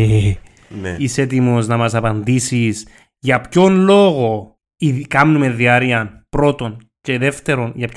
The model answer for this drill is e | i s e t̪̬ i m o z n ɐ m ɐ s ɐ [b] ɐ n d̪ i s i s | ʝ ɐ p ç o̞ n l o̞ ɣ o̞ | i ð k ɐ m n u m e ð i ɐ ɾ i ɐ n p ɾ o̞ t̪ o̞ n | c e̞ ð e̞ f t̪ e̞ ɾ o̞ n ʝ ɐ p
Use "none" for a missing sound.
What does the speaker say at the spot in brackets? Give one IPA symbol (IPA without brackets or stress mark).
p